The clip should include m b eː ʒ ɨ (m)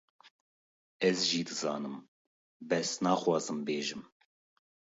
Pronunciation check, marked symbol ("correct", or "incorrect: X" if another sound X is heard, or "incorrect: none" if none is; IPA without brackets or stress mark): correct